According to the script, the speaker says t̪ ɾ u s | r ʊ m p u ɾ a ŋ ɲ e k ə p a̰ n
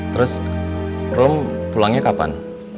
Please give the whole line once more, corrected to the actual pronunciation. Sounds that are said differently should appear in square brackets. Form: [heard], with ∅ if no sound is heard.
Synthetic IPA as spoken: t̪ ɾ [ʊ] s | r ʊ m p u [l] a ŋ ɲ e k [a] p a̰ n